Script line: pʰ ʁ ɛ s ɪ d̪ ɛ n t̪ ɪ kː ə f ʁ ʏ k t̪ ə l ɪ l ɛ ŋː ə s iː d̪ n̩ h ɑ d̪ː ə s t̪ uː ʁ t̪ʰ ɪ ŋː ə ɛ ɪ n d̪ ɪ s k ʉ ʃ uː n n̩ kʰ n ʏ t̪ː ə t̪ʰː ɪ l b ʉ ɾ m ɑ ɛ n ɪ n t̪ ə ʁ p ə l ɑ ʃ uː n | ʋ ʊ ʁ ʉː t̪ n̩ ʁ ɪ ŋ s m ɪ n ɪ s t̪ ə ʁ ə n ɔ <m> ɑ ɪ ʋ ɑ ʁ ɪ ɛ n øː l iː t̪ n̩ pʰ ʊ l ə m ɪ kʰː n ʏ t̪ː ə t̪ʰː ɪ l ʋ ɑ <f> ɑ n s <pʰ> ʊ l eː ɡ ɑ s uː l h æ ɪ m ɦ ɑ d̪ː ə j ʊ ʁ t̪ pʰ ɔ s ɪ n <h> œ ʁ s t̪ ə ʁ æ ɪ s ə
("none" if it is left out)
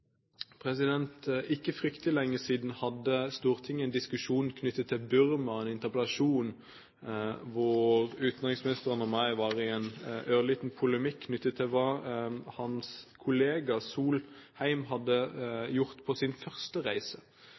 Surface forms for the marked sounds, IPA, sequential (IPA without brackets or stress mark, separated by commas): m, h, kʰ, f